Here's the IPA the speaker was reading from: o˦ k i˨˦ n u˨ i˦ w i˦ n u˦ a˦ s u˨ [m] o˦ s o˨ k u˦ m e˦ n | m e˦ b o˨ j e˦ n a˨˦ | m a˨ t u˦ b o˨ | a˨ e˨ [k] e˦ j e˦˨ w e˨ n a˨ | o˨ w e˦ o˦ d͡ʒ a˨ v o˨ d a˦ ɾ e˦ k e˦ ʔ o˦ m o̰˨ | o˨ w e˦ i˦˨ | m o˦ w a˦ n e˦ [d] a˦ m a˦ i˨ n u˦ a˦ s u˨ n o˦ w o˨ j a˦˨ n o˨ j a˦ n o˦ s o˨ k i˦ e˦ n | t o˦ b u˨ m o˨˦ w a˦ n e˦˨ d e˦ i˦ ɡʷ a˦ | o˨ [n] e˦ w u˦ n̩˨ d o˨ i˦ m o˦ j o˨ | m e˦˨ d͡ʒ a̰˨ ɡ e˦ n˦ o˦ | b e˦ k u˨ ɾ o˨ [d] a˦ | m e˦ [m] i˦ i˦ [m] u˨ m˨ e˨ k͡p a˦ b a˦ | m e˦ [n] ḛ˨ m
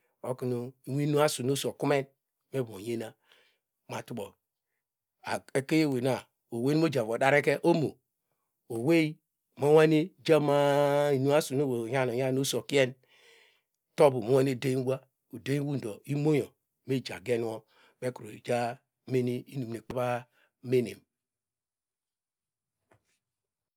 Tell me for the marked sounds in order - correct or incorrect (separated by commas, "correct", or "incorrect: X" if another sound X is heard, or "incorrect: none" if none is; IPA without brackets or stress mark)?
incorrect: n, correct, incorrect: d͡ʒ, incorrect: d, incorrect: d͡ʒ, incorrect: n, incorrect: n, correct